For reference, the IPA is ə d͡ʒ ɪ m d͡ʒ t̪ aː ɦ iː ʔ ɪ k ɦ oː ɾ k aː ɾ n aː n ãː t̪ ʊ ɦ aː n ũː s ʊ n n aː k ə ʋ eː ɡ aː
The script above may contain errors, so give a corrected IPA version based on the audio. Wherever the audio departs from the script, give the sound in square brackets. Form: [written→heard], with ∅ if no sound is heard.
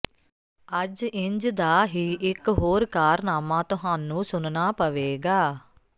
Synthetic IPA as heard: ə d͡ʒ ɪ [m→ɲ] d͡ʒ [t̪→d̪] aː ɦ iː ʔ ɪ k ɦ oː ɾ k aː ɾ n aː [n→m] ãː t̪ ʊ ɦ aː n ũː s ʊ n n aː [k→p] ə ʋ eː ɡ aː